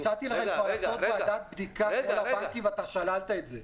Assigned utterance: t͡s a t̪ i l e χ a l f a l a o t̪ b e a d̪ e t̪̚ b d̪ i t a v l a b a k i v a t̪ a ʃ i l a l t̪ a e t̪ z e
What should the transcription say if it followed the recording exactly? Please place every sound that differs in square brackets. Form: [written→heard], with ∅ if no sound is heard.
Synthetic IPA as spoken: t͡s a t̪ i l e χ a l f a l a o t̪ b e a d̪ [e→a] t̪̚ b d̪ i [t→k] a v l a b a k i v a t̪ a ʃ [i→a] l a l t̪ a e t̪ z e

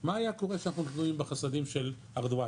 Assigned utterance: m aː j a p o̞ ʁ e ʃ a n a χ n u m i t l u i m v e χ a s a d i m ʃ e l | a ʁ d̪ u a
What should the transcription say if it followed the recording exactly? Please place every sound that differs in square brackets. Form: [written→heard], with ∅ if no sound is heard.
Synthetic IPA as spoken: m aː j a [p→k] o̞ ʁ e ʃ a n a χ n u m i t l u i m [v→b] e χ a s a d i m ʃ e l | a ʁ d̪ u a

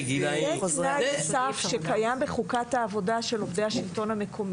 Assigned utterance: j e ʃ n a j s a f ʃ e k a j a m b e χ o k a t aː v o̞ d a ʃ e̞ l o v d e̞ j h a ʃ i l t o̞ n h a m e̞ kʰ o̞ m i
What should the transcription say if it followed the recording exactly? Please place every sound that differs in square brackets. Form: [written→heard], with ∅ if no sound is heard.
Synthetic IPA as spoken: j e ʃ n a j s a f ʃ e k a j a m b e χ [o→u] k a t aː v o̞ d a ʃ e̞ l o v d e̞ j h a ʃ i l t o̞ n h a m e̞ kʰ o̞ m i

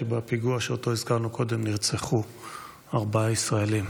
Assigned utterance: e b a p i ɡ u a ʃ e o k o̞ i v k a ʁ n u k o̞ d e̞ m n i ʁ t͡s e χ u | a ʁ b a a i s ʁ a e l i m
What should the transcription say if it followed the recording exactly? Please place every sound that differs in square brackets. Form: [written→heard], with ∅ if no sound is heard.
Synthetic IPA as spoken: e b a p i ɡ u a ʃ e o [k→t] o̞ i [v→z] k a ʁ n u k o̞ d e̞ m n i ʁ t͡s e χ u | a ʁ b a a i s ʁ a e l i m

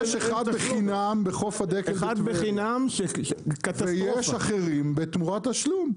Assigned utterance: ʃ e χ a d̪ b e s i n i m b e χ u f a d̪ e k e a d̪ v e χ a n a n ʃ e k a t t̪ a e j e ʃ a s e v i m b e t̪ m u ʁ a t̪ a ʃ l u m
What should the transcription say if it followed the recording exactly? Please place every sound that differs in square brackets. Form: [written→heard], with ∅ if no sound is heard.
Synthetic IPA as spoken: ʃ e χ a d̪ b e [s→χ] i n [i→a] m b e χ [u→o] f a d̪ e k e a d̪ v e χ [a→i] n a [n→m] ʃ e k a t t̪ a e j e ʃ a [s→χ] e [v→ʁ] i m b e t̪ m u ʁ a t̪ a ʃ l u m

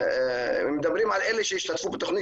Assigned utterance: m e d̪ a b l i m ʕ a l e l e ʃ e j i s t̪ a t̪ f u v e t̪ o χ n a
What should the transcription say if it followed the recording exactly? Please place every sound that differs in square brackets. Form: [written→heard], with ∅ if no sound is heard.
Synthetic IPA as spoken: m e d̪ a b [l→ɾ] i m ʕ a l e l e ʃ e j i [s→ʃ] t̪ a t̪ f u [v→b] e t̪ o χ n [a→i]

